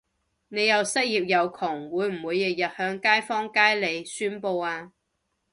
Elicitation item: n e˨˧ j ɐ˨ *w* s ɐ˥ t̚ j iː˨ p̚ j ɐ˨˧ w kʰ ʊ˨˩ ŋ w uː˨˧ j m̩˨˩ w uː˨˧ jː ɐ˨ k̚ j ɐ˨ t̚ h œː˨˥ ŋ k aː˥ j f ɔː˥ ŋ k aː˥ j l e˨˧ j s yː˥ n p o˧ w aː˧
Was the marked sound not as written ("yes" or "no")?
no